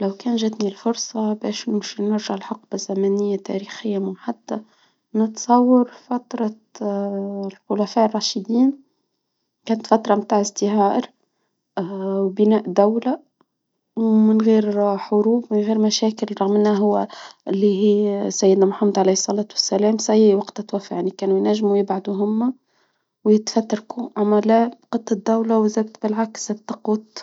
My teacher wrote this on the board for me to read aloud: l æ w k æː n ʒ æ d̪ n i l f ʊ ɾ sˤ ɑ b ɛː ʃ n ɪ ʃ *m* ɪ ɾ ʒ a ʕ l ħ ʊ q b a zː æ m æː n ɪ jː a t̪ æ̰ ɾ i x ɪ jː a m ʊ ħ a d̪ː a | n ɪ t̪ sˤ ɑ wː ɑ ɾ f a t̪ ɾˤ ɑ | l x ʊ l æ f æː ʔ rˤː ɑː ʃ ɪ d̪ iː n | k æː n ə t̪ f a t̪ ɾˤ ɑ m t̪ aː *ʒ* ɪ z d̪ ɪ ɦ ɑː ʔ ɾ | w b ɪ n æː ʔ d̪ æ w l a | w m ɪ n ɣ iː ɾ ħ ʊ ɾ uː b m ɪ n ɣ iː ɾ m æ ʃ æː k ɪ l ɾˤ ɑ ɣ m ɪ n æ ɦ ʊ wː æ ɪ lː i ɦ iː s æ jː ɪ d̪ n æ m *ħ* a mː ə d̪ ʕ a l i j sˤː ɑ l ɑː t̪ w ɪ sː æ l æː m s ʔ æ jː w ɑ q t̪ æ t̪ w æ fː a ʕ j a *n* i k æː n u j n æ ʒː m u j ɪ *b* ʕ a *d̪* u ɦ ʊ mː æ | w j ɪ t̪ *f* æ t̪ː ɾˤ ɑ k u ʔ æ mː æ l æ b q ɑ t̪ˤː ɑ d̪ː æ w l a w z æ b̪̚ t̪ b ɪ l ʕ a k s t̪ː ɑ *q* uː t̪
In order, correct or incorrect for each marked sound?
incorrect, incorrect, correct, correct, correct, correct, correct, correct

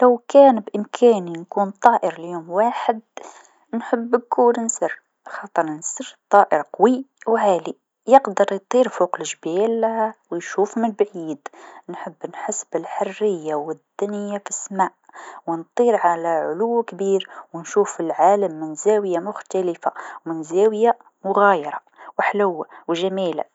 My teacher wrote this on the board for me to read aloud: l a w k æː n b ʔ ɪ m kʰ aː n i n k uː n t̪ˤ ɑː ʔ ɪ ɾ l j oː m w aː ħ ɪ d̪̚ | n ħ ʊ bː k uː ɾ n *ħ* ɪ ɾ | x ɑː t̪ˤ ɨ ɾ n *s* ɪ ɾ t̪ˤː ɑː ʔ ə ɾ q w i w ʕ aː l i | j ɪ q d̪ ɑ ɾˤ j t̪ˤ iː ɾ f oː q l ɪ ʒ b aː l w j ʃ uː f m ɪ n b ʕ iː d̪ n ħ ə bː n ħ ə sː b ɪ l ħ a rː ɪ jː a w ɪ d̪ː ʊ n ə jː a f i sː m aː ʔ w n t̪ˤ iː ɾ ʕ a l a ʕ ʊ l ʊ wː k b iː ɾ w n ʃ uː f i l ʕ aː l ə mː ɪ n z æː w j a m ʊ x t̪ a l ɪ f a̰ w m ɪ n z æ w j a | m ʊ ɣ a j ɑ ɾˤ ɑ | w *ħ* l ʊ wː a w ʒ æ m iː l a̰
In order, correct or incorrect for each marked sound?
incorrect, correct, correct

